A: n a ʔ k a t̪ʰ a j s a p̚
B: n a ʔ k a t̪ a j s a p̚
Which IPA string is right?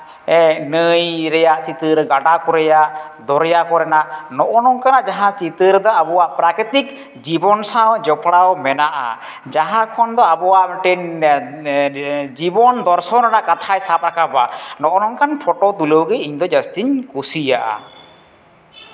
A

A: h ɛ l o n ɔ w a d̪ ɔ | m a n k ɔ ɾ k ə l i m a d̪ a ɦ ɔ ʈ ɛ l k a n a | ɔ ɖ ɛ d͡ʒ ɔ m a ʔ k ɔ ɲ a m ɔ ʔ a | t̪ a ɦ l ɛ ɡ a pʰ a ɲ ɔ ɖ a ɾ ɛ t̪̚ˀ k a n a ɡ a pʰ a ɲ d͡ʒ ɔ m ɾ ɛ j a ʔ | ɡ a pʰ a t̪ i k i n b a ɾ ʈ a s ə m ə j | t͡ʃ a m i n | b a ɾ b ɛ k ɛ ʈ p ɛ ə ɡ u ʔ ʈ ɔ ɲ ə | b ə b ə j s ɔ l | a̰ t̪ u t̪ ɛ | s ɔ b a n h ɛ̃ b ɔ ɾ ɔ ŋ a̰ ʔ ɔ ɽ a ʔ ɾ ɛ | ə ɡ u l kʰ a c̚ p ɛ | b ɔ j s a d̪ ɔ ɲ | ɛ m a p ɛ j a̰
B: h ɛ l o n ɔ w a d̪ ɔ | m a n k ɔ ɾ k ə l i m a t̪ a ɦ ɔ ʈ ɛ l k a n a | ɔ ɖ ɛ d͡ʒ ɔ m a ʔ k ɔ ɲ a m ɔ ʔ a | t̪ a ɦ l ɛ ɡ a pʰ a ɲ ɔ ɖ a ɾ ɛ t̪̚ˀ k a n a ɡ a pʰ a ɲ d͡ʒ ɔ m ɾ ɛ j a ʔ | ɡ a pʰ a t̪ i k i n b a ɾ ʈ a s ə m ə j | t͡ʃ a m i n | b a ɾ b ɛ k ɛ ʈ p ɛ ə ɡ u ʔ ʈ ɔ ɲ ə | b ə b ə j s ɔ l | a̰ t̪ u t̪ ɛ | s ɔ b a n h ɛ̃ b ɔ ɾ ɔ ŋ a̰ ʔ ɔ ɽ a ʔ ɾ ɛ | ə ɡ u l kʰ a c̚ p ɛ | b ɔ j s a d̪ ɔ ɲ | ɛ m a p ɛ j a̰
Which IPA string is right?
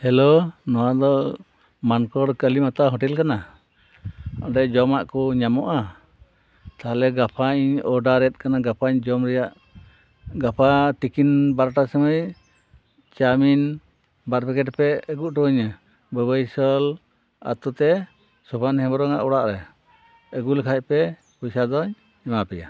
B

